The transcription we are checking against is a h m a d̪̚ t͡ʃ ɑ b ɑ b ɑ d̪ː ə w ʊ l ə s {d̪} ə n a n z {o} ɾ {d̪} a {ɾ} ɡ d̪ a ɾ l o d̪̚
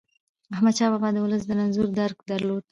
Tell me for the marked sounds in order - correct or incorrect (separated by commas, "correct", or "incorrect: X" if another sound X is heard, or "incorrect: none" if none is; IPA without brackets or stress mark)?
correct, incorrect: u, correct, correct